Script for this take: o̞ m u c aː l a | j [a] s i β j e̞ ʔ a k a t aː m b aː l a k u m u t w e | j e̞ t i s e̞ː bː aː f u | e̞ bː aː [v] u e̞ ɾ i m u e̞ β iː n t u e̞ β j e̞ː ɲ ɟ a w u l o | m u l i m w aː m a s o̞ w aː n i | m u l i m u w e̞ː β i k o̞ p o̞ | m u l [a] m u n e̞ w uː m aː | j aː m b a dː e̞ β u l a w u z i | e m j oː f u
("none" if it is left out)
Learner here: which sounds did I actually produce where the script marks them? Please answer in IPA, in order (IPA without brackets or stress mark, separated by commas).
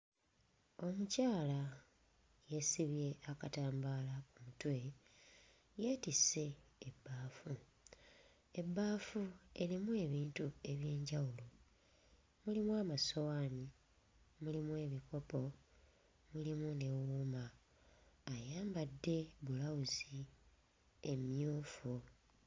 e, f, i